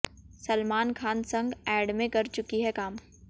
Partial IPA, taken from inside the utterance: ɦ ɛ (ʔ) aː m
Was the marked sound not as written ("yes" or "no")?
yes